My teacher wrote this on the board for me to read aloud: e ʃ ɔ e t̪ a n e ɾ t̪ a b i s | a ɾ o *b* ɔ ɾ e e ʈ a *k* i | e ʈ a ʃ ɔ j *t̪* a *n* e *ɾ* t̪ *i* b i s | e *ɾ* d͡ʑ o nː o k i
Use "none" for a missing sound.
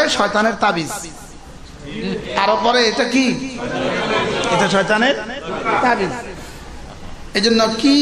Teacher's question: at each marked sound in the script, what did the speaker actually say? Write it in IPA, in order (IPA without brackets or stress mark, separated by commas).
p, k, t̪, n, ɾ, a, none